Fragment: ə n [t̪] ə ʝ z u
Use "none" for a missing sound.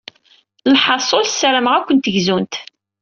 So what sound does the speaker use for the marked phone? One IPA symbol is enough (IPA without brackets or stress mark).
t̪